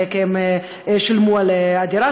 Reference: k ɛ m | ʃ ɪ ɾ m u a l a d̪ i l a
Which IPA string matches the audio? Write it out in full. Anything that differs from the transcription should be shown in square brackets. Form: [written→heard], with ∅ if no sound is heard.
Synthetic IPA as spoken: k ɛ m | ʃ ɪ [ɾ→l] m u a l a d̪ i [l→ɾ] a